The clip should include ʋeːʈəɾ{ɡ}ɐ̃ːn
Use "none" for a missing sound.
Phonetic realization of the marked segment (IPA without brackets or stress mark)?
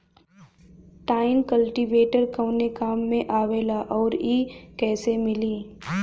k